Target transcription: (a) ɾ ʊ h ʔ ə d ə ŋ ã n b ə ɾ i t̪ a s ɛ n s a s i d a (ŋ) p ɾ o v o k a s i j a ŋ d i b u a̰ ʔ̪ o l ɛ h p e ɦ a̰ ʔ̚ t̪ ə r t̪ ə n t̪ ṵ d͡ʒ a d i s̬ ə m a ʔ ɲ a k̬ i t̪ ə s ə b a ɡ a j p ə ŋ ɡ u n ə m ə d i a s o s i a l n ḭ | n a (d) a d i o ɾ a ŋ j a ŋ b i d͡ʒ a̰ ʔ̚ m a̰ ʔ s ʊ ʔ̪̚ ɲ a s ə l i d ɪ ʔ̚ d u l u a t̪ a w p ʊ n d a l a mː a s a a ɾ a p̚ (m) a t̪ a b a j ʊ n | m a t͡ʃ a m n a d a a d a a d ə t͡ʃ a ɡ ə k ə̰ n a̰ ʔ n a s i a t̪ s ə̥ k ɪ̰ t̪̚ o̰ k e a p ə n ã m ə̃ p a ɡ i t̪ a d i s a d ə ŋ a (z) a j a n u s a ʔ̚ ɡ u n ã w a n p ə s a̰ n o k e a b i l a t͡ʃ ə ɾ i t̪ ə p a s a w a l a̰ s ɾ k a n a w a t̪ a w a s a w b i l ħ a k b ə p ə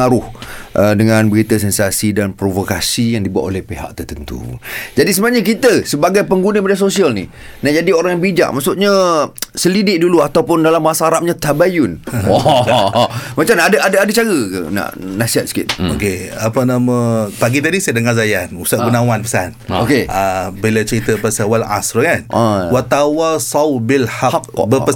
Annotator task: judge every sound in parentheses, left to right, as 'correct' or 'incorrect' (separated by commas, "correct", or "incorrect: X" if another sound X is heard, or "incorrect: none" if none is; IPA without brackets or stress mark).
correct, incorrect: n, incorrect: d͡ʒ, incorrect: ɲ, correct